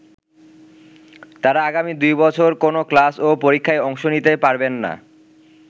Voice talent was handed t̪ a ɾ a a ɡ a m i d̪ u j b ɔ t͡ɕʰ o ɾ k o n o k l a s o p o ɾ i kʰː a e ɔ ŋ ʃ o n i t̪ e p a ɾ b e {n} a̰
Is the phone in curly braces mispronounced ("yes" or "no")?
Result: yes